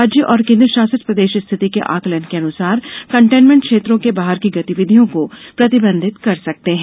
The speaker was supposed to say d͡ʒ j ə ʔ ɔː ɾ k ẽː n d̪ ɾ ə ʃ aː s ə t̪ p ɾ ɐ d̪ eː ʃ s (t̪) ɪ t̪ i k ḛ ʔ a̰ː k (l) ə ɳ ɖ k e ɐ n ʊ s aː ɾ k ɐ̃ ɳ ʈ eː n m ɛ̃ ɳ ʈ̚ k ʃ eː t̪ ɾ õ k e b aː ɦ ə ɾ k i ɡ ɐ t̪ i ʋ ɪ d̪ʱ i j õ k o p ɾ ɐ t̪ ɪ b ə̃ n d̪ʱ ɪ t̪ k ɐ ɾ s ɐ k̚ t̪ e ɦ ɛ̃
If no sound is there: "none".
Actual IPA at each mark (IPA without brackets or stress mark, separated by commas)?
t̪ʰ, l